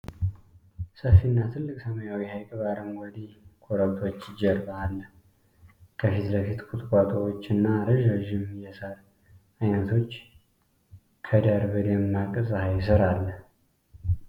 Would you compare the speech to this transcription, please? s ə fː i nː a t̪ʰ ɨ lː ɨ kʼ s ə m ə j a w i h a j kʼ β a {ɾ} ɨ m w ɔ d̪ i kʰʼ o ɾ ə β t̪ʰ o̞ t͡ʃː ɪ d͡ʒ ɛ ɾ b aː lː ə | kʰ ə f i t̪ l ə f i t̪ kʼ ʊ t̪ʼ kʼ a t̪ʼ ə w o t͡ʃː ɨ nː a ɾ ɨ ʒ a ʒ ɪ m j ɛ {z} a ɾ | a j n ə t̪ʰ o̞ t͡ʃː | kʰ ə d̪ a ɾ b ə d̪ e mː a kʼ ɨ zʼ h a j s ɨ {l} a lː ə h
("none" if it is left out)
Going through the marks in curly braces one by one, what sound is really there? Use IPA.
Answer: ɾ, s, ɾ

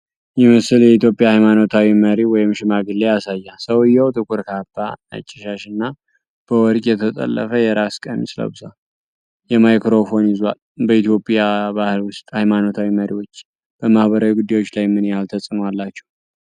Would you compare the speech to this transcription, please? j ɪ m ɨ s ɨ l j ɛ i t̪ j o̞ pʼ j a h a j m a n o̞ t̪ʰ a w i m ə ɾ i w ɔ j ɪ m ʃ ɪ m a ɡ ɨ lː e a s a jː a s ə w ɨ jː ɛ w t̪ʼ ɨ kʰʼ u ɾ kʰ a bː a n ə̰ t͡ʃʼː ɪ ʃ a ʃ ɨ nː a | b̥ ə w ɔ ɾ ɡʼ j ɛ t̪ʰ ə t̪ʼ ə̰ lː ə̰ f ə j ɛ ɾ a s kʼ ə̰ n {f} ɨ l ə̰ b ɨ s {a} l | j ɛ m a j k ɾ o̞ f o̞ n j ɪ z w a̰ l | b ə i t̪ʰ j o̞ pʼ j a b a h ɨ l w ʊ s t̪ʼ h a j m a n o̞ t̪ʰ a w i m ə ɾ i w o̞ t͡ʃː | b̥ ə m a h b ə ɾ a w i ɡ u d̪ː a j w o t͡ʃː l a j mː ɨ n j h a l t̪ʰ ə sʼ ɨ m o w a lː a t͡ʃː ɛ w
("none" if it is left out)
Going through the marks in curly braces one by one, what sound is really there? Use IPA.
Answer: s, a

